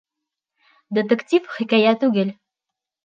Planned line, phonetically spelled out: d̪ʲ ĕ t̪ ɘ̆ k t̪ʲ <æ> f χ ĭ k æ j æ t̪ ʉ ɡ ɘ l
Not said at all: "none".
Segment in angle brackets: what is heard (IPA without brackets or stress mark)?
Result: i